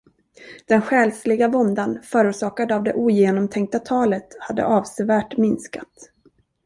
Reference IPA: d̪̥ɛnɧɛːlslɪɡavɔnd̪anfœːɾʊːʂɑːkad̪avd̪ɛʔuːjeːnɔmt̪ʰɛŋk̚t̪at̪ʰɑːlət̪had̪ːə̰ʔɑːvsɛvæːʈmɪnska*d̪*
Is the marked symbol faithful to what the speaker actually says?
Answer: no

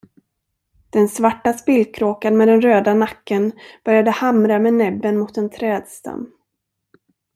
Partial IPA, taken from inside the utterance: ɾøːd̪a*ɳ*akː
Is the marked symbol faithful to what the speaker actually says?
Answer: no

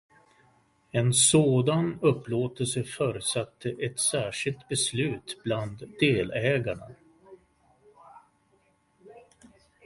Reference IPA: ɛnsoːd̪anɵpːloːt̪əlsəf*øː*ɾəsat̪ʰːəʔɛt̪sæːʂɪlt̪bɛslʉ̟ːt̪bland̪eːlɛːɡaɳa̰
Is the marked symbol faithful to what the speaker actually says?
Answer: no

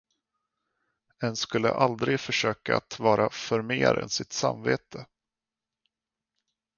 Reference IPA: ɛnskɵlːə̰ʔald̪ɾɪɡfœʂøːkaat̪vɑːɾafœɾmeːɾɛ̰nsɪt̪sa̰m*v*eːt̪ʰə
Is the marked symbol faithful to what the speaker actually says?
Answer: yes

